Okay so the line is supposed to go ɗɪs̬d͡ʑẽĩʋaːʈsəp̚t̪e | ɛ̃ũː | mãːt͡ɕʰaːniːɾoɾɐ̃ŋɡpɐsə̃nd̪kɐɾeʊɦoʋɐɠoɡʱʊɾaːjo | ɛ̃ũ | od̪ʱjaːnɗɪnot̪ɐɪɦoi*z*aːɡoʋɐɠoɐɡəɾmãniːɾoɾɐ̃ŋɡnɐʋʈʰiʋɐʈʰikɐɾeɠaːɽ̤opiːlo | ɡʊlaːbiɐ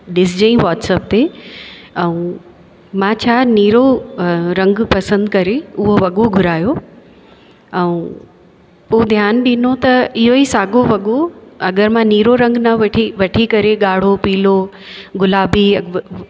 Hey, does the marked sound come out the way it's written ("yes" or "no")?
no